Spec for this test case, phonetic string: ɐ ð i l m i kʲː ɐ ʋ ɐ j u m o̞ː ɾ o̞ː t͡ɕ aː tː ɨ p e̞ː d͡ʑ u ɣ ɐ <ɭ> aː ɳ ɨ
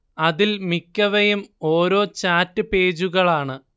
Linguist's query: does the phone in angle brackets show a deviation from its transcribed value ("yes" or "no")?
no